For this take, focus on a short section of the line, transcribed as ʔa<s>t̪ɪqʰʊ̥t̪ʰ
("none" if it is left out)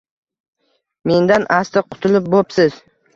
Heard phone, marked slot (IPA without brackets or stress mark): s